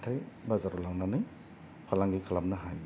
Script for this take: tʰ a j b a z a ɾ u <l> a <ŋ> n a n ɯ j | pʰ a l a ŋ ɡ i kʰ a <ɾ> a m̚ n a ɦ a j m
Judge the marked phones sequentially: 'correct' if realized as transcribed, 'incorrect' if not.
correct, correct, incorrect: l

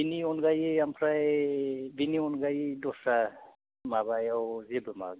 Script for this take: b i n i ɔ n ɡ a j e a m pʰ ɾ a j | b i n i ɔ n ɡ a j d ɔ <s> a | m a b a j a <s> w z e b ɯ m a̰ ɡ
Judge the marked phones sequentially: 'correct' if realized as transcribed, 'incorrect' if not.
correct, incorrect: none

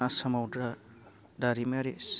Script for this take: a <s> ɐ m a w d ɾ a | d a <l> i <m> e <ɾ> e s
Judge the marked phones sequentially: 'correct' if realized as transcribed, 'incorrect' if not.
correct, incorrect: ɾ, correct, correct

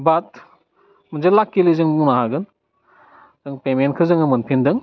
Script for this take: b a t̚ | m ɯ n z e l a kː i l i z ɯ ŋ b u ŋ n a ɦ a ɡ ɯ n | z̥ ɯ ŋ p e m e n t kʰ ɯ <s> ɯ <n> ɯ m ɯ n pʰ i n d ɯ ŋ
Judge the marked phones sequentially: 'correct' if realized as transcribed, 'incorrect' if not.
incorrect: z, incorrect: ŋ

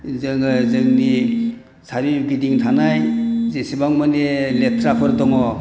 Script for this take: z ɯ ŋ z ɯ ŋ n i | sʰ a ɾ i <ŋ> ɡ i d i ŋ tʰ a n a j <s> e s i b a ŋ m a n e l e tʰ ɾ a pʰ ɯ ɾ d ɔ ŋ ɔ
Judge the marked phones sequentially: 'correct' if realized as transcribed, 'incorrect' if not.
incorrect: none, incorrect: z

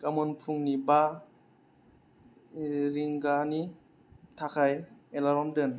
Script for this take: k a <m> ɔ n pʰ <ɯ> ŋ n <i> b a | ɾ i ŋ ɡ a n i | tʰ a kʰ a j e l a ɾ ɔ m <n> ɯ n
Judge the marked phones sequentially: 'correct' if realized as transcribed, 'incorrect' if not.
correct, incorrect: u, correct, incorrect: d

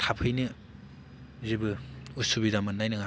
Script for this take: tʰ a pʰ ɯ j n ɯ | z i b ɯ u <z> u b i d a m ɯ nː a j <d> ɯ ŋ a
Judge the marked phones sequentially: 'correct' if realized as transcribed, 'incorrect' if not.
incorrect: s, incorrect: n

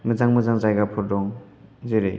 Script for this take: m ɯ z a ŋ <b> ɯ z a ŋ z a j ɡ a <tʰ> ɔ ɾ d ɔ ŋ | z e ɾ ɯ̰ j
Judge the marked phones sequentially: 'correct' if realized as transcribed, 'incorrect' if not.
incorrect: m, incorrect: pʰ

